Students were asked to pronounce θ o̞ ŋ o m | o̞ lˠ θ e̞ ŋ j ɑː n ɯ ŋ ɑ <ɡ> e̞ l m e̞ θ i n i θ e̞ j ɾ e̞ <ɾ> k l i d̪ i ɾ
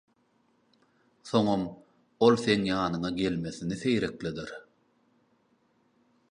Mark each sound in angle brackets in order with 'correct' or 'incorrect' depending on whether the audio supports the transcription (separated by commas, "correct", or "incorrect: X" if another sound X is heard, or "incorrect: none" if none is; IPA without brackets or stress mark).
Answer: correct, incorrect: none